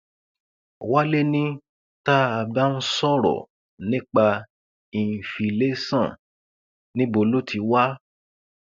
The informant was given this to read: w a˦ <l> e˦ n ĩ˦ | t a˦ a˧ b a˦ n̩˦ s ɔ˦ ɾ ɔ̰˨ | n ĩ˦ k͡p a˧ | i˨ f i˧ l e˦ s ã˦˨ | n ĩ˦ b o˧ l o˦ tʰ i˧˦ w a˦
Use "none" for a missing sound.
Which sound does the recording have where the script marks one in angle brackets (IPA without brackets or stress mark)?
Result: l